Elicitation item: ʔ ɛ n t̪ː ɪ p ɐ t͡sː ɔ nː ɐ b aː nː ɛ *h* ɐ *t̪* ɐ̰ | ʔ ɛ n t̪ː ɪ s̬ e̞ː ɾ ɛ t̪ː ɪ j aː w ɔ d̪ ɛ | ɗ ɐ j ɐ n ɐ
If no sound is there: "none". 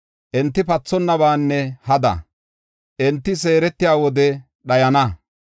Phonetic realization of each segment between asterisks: h, d̪

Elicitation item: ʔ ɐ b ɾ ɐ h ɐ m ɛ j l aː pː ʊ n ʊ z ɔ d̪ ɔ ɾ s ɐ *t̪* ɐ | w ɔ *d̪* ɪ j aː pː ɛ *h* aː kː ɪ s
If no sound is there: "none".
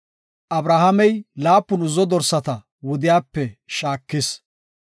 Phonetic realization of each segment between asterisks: t̪, d̪, ʃ

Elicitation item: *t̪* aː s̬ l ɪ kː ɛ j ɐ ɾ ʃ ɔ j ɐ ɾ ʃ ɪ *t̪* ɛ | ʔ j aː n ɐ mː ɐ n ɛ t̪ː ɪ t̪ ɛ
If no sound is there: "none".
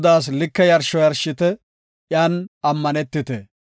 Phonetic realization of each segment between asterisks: d̪, t̪

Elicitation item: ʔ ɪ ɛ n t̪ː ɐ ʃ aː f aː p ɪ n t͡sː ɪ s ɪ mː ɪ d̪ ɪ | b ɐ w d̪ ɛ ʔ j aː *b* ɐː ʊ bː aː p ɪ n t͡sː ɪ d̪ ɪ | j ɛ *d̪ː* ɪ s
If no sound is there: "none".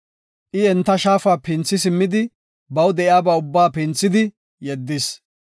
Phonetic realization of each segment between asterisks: b, d̪ː

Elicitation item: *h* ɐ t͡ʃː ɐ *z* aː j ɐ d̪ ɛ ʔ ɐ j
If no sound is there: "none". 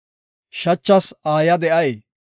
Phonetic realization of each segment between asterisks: ʃ, s

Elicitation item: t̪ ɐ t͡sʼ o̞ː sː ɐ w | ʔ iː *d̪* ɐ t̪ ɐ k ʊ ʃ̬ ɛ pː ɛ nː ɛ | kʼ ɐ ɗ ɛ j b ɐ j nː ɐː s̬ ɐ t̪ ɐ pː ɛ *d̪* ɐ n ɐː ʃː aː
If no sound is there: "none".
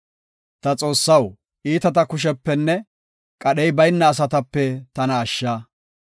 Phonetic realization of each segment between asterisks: t̪, t̪

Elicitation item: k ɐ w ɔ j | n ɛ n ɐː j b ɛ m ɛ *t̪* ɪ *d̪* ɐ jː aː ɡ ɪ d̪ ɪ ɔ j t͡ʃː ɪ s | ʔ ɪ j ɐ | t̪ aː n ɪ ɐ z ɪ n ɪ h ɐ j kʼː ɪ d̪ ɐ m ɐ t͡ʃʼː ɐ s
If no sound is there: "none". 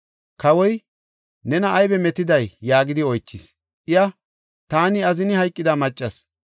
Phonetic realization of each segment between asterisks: t̪, d̪

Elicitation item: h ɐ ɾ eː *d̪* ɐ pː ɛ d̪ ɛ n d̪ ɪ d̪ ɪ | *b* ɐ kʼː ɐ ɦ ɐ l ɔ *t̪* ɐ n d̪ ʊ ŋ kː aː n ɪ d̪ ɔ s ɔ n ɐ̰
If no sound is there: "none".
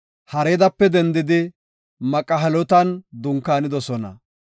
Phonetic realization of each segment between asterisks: d̪, m, t̪

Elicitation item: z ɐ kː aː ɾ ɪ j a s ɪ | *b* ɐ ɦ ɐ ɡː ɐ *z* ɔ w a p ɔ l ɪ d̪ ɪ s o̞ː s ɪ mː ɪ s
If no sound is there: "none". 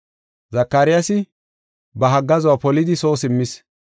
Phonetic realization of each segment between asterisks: b, z

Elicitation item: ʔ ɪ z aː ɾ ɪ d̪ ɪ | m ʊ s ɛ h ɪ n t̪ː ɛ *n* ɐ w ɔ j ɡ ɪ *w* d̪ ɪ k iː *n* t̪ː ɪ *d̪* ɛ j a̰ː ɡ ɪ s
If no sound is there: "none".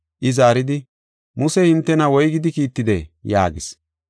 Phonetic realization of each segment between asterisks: n, none, none, d̪

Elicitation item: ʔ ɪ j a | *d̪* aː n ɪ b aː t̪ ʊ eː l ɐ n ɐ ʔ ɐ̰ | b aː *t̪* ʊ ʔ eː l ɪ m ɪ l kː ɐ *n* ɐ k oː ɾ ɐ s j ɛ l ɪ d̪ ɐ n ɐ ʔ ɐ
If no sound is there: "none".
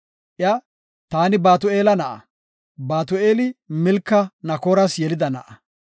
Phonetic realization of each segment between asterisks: t̪, t̪, n

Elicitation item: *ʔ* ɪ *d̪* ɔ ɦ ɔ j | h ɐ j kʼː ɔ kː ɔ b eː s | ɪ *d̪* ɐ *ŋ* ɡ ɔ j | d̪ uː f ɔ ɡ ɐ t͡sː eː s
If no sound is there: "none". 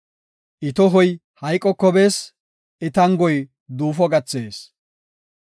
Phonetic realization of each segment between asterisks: ʔ, t̪, t̪, ŋ

